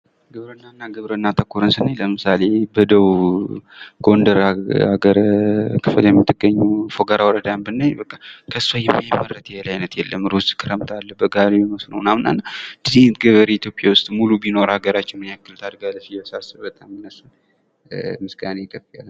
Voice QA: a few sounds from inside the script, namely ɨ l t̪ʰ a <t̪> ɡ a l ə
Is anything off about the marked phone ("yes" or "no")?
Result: yes